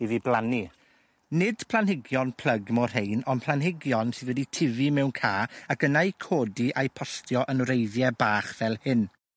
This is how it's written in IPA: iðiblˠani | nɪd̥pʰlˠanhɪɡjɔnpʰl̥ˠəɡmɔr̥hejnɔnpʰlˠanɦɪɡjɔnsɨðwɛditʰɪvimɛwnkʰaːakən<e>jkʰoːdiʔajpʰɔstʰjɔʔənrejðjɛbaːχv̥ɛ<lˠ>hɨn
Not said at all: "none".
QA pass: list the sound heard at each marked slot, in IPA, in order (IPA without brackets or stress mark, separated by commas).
a, lˠ